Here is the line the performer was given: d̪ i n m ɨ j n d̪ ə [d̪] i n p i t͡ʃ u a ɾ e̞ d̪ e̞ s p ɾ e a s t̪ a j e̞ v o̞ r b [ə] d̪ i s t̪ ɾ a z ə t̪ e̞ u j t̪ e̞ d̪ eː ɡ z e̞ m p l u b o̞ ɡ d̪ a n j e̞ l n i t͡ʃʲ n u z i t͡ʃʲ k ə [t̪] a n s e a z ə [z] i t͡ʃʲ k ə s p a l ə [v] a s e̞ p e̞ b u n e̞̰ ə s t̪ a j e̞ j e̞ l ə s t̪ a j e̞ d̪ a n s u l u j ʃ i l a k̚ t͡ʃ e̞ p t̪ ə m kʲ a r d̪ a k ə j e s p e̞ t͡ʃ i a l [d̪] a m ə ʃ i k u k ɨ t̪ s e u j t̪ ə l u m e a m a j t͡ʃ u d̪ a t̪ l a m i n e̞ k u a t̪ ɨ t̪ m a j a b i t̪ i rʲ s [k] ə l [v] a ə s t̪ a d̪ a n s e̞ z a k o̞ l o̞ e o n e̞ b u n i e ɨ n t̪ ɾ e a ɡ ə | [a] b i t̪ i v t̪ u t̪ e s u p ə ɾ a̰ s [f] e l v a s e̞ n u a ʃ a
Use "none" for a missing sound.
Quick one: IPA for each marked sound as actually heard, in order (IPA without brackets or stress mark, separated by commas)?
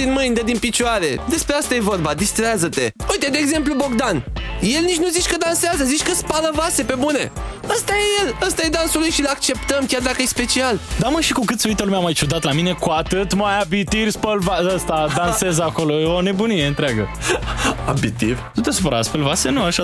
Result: d̪, a, d̪, z, v, d̪, p, v, a, f